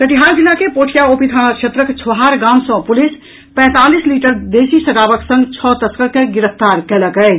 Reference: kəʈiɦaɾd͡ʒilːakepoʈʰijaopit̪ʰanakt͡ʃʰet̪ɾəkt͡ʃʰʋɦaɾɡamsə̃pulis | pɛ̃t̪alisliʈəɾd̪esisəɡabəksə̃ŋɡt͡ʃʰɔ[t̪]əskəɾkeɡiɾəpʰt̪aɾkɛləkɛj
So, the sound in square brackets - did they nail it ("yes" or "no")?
yes